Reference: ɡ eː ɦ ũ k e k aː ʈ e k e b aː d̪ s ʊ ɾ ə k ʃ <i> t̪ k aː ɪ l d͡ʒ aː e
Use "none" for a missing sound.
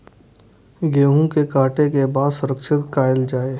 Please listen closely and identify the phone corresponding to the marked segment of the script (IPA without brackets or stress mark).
ɪ